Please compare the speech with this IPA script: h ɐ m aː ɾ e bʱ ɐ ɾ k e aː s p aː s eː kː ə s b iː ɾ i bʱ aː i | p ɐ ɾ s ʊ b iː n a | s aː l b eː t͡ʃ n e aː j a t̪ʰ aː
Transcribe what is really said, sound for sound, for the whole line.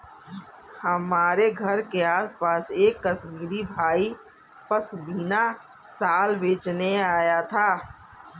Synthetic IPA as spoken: h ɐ m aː ɾ e ɡʱ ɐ ɾ k e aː s p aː s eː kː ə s m iː ɾ i bʱ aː i | p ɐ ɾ s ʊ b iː n a | s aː l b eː t͡ʃ n e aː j a t̪ʰ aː